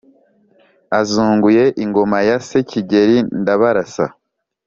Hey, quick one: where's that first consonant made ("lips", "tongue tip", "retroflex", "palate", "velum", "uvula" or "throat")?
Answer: tongue tip